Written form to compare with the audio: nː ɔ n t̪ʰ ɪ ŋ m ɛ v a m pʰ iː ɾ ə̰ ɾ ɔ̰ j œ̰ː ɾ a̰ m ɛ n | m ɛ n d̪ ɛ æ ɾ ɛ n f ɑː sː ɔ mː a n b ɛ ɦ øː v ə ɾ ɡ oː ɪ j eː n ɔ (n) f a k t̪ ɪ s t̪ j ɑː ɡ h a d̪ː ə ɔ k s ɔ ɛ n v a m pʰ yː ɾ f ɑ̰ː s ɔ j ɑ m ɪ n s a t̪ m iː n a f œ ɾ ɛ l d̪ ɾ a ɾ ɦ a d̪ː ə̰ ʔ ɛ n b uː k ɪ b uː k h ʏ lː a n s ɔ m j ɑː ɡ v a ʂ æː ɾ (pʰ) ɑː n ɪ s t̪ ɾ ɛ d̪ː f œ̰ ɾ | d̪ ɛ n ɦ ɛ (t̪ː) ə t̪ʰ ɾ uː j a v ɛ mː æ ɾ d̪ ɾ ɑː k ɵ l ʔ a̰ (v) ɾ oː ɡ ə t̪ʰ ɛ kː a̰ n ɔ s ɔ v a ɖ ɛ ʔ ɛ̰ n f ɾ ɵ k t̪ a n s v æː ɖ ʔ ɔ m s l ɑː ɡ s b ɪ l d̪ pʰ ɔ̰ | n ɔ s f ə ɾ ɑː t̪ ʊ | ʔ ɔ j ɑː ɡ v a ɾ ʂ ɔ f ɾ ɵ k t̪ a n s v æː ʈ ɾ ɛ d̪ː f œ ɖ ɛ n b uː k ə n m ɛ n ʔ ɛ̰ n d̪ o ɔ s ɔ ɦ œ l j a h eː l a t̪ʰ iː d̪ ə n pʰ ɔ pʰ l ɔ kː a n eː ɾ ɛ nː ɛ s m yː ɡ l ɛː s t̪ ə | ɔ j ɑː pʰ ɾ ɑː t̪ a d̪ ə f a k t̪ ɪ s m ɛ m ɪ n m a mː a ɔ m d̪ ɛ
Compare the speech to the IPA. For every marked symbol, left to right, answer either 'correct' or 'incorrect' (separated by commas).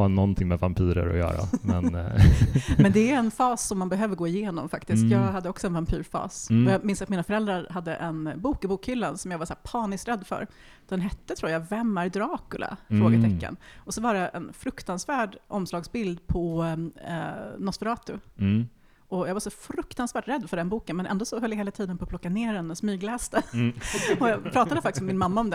incorrect, correct, correct, incorrect